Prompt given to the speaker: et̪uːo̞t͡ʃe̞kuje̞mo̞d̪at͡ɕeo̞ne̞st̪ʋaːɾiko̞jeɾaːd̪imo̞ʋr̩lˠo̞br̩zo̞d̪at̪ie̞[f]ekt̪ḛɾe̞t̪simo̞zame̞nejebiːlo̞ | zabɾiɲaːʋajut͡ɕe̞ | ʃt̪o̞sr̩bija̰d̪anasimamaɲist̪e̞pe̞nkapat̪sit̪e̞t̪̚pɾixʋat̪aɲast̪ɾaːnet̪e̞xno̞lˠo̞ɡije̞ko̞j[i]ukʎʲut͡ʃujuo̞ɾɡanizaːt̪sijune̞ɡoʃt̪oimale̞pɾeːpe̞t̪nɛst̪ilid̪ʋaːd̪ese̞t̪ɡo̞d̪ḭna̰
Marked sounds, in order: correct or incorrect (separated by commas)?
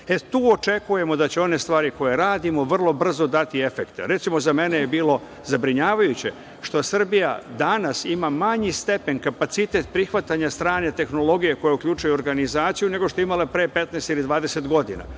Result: correct, incorrect